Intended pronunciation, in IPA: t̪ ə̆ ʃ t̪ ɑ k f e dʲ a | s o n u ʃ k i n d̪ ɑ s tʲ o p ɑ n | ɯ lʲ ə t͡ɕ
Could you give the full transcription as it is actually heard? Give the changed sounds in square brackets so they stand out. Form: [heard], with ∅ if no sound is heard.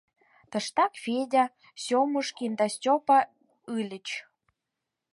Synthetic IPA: t̪ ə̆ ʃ t̪ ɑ k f e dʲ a | s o [m] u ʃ k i n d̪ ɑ s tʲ o p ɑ [∅] | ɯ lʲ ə t͡ɕ